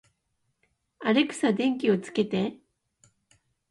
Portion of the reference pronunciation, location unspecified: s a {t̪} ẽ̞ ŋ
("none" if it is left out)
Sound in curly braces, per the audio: d̪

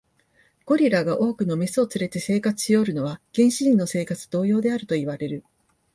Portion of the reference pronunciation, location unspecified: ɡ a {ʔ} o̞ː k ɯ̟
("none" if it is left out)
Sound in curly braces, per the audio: ʔ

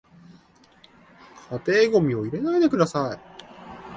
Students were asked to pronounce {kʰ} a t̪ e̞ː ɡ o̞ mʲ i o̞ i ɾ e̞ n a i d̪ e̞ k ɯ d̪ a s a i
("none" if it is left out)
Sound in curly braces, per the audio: kʰ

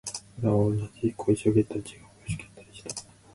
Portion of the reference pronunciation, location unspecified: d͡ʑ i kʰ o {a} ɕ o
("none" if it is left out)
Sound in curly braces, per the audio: i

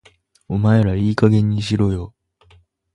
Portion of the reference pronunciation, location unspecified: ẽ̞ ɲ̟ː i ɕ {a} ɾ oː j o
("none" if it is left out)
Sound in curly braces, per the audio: i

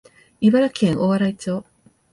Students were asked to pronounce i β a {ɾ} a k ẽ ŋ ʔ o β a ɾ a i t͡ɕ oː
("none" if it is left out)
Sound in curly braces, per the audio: ɾ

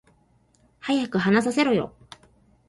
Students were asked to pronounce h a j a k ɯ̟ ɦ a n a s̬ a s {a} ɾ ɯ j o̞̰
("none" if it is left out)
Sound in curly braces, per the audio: e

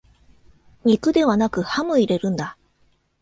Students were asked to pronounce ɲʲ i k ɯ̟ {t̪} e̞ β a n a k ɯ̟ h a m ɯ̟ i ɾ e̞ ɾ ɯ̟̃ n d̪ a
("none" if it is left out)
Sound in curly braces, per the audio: d̪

